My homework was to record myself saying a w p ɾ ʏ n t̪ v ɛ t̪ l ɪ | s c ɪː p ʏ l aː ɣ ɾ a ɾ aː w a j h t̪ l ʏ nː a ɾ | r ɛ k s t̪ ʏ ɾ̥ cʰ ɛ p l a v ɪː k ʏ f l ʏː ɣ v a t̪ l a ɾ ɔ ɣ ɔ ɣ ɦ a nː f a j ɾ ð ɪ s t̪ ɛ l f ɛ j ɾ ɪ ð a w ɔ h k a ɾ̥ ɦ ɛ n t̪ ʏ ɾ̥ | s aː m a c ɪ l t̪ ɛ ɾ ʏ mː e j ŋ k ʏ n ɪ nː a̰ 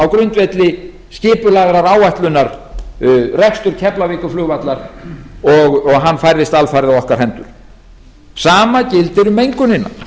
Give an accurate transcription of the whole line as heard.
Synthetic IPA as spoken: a w k ɾ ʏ n t̪ v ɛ t̪ l ɪ | s c ɪː p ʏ l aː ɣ ɾ a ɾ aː w a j h t̪ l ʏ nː a ɾ | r ɛ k s t̪ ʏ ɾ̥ cʰ ɛ p l a v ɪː k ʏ f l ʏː ɣ v a t̪ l a ɾ ɔ ɣ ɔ ɣ ɦ a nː f a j ɾ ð ɪ s t̪ a l f a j ɾ ɪ ð a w ɔ h k a ɾ̥ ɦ ɛ n t̪ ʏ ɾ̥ | s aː m a c ɪ l t̪ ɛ ɾ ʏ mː e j ŋ k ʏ n ɪ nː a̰